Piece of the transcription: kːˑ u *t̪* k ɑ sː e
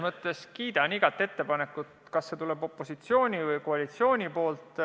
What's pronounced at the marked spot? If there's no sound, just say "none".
t̪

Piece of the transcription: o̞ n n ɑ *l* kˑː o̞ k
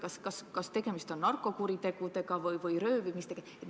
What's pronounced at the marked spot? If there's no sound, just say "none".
r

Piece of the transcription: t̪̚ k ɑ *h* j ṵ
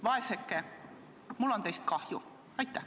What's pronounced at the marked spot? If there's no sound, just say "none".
h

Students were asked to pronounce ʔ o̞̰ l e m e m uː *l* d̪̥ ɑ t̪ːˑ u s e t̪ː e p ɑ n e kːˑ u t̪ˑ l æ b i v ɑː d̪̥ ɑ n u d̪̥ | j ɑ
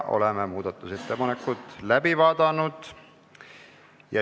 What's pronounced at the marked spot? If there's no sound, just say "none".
none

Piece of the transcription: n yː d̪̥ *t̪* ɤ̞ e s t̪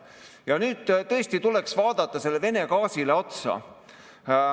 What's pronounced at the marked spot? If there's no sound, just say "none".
t̪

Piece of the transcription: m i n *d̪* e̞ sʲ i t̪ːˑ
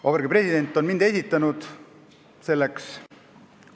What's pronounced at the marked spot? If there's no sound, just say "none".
d̪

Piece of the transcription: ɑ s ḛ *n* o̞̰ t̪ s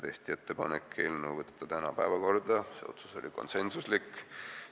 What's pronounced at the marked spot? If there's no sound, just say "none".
none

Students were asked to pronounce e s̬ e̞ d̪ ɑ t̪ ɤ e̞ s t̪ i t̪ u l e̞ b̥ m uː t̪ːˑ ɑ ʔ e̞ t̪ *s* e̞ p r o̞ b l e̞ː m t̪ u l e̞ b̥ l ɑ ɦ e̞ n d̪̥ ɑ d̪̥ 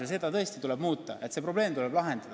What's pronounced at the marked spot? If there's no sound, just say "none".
s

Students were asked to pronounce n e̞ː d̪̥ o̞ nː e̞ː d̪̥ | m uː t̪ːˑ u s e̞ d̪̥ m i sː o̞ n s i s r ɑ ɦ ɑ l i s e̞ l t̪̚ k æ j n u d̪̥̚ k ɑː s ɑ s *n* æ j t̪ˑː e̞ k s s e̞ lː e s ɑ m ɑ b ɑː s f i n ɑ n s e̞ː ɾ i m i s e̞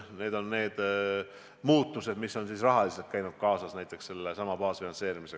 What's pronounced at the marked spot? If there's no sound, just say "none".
n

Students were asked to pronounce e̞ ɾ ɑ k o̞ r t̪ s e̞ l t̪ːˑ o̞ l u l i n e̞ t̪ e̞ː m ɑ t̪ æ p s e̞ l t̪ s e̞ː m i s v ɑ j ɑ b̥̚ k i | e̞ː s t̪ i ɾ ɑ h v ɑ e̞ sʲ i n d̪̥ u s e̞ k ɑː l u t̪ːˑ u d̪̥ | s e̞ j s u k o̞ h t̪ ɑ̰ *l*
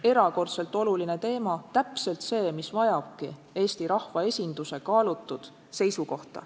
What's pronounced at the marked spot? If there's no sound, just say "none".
none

